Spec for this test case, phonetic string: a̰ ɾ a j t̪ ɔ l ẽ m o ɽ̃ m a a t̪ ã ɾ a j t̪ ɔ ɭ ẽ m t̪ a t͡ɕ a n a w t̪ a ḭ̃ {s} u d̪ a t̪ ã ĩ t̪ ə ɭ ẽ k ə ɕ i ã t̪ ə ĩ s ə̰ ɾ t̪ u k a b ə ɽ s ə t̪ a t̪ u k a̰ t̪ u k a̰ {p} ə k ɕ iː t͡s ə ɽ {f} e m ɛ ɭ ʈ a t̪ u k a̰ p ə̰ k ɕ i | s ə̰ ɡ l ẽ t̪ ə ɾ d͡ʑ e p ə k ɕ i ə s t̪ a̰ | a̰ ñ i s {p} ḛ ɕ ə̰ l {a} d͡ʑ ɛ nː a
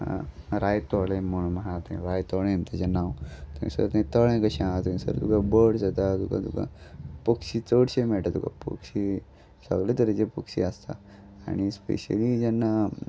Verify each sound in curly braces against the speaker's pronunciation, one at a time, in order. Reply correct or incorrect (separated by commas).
correct, correct, incorrect, correct, incorrect